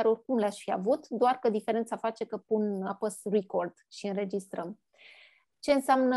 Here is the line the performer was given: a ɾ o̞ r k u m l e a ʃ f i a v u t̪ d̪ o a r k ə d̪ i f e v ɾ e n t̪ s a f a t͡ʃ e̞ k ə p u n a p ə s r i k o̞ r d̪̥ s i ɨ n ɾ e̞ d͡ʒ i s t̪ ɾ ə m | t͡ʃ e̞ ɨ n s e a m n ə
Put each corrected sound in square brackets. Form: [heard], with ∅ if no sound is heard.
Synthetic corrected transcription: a ɾ o̞ r k u m l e a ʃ f i a v u t̪ d̪ o a r k ə d̪ i f e [∅] ɾ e n t̪ s a f a t͡ʃ e̞ k ə p u n a p ə s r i k o̞ r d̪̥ [ʃ] i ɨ n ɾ e̞ d͡ʒ i s t̪ ɾ ə m | t͡ʃ e̞ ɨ n s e a m n ə